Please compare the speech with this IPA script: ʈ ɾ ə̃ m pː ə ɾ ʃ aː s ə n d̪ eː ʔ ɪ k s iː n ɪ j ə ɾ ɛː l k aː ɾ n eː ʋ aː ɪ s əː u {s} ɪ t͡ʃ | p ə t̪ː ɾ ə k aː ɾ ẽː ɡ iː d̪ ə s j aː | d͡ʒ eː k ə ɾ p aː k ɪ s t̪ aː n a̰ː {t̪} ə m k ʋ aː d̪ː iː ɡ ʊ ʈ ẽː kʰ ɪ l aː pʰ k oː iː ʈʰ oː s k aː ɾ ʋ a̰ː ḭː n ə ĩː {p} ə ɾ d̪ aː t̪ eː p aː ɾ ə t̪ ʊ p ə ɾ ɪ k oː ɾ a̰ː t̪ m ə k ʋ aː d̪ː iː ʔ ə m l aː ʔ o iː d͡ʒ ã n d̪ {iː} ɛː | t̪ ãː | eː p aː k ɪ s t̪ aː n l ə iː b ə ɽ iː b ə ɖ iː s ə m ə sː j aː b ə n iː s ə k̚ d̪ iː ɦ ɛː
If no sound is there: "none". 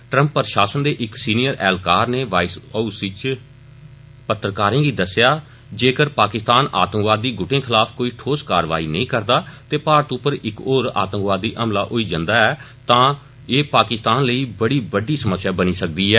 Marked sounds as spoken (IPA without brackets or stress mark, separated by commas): s, t̪, k, aː